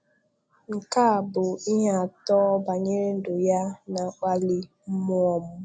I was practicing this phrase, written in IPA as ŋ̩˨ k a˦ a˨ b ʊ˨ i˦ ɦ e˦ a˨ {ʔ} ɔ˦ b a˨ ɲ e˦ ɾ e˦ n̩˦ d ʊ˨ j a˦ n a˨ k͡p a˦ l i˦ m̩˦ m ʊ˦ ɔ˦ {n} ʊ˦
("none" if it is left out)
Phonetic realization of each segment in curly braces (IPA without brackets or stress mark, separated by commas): t, m